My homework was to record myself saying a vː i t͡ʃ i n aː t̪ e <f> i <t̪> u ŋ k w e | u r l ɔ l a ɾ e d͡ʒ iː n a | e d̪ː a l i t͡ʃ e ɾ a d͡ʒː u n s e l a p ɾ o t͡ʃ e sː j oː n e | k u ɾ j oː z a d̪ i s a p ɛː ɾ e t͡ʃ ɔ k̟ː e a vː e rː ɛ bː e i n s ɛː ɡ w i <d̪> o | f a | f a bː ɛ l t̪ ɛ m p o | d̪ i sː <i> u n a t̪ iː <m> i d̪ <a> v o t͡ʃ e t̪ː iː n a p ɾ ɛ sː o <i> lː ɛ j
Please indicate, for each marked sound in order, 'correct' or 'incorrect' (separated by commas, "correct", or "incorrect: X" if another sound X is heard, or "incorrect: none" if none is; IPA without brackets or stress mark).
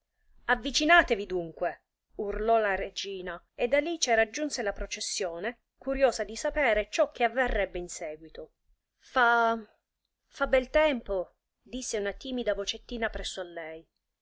incorrect: v, incorrect: d̪, incorrect: t̪, incorrect: e, correct, correct, incorrect: a